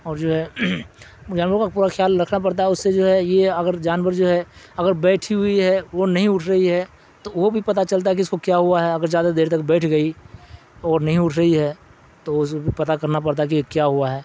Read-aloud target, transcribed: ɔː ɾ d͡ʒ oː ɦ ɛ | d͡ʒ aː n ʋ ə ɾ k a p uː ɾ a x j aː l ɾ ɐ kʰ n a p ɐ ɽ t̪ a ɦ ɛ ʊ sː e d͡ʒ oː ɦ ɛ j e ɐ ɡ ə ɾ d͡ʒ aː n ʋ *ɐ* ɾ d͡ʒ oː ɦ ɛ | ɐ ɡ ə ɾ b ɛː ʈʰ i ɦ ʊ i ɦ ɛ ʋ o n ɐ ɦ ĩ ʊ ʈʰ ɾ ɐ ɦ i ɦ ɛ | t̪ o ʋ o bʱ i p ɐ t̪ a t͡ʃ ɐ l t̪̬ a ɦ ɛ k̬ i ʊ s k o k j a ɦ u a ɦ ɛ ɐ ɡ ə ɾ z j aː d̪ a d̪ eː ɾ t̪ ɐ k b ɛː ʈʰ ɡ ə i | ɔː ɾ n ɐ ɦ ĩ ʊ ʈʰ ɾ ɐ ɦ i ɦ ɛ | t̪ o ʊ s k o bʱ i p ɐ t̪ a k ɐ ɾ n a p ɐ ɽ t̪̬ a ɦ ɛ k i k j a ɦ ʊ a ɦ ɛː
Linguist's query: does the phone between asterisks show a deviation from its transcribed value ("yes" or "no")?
yes